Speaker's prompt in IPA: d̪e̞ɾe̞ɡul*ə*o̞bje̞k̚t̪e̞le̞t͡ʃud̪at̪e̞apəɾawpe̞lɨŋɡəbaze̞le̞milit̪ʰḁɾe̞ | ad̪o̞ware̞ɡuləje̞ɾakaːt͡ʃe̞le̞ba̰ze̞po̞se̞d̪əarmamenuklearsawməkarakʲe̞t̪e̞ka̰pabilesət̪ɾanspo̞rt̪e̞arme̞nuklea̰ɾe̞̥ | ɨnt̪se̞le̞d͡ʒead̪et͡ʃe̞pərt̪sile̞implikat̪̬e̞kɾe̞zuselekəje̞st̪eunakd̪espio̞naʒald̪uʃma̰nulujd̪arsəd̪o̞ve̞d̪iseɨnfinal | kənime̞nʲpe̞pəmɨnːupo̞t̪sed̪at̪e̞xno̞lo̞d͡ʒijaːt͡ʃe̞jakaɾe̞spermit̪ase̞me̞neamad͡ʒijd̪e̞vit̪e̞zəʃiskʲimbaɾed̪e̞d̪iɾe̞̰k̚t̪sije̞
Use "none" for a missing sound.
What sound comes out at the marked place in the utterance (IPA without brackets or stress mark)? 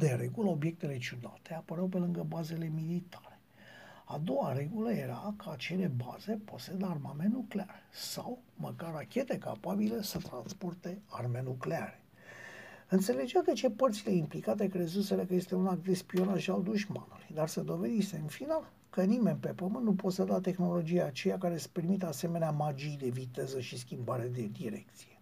ə